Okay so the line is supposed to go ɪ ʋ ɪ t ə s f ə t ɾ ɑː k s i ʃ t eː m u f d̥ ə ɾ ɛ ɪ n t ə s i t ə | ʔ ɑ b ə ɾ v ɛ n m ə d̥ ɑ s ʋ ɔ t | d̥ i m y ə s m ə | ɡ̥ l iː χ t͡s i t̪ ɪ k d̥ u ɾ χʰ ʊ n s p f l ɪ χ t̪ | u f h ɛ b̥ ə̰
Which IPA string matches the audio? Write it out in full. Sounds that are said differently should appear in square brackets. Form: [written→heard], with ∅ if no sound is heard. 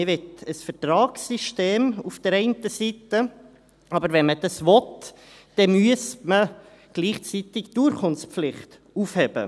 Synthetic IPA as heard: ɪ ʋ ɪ t ə s f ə t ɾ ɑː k s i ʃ t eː m u f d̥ ə ɾ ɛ ɪ n t ə s i t ə | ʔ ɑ b ə ɾ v ɛ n m ə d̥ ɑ s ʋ ɔ t | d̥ [i→ɛ] m y ə s m ə | ɡ̥ l iː χ t͡s i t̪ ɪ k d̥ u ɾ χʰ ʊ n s p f l ɪ χ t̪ | u f h ɛ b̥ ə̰